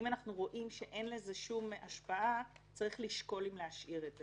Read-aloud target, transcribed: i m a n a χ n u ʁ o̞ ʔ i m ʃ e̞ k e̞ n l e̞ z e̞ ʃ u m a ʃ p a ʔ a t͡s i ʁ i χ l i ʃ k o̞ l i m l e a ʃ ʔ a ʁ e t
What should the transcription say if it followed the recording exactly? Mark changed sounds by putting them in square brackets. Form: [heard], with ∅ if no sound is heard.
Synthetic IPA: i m a n a χ n u ʁ o̞ ʔ i m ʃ e̞ [ʔ] e̞ n l e̞ z e̞ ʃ u m a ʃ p a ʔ a t͡s [a] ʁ i χ l i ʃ k o̞ l i m l e a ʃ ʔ [i] ʁ e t